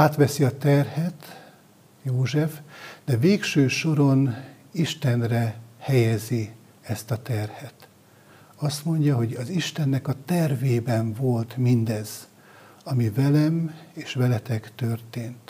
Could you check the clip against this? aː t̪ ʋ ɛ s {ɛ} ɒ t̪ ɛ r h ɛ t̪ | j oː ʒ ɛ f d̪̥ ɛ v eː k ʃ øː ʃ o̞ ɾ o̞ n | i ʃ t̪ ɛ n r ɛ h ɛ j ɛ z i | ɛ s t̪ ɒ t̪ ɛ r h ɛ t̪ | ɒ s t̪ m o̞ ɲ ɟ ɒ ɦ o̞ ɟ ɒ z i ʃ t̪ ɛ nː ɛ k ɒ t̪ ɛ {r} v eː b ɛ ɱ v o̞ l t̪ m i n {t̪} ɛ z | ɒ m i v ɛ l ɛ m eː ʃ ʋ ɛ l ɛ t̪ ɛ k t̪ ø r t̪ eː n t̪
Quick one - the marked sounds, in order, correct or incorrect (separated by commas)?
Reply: incorrect, correct, incorrect